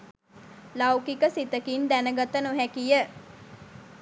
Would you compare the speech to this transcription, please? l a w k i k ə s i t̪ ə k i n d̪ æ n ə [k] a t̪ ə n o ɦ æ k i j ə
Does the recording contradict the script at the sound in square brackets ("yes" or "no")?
yes